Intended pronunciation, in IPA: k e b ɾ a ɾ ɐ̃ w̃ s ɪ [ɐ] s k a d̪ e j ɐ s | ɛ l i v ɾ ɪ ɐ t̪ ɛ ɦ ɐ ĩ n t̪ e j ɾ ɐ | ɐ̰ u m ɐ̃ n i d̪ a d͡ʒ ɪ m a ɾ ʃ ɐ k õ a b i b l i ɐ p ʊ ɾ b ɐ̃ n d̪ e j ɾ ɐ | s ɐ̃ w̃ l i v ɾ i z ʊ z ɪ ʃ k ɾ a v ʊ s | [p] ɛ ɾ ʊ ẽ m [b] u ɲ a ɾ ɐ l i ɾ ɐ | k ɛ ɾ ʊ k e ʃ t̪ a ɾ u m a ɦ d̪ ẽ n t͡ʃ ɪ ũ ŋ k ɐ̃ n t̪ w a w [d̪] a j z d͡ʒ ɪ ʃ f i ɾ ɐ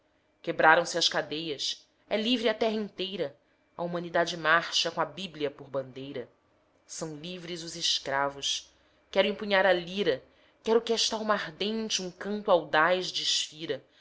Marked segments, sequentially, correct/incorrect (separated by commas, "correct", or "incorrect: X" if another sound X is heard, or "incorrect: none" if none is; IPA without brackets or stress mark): correct, incorrect: k, incorrect: p, correct